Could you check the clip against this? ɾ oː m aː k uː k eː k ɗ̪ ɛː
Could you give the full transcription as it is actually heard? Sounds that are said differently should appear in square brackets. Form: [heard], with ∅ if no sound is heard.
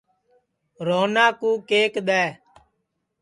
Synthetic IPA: ɾ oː [n] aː k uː k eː k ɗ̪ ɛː